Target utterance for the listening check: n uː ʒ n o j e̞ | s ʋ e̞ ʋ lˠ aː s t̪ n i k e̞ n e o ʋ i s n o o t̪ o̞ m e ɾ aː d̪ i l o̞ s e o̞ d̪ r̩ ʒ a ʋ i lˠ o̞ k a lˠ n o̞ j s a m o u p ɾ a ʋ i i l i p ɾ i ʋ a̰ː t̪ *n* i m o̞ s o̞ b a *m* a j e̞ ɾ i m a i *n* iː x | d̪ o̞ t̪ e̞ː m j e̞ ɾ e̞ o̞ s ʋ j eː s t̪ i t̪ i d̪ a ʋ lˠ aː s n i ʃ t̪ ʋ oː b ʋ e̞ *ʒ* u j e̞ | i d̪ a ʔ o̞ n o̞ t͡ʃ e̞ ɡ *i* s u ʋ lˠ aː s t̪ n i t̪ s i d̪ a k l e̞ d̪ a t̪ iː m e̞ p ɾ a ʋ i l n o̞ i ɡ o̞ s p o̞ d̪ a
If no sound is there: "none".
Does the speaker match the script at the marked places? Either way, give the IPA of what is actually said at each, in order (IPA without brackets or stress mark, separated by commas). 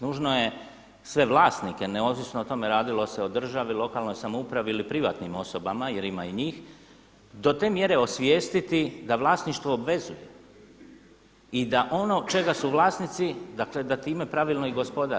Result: n, m, ɲ, z, a